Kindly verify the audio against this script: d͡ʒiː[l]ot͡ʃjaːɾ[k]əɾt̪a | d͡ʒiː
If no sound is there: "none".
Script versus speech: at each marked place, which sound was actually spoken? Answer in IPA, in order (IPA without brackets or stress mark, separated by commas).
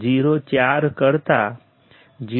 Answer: ɾ, k